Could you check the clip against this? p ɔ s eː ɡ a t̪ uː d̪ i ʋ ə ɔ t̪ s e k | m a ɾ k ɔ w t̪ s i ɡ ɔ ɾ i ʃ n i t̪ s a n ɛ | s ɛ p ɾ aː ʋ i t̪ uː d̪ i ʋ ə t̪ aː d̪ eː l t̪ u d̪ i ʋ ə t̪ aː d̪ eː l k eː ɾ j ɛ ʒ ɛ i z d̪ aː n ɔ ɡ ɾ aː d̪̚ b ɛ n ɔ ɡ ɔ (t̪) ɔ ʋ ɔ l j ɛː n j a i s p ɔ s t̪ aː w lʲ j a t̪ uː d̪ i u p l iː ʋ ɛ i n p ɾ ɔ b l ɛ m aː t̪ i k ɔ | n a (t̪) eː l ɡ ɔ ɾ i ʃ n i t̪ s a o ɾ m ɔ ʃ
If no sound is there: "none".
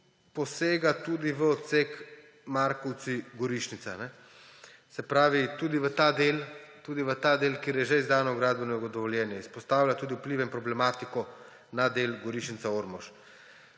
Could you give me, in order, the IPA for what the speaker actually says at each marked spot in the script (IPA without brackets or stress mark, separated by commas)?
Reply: d̪, d̪